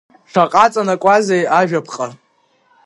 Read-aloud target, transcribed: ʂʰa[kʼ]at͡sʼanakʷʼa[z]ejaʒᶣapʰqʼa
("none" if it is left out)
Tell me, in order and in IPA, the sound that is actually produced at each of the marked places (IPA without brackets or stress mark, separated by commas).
qʼ, z